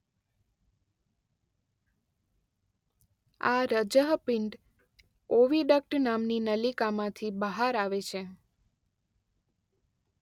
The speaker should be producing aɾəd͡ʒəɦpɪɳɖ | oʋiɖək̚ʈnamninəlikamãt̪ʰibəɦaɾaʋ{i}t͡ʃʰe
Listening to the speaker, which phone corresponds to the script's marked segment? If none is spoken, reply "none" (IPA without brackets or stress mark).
e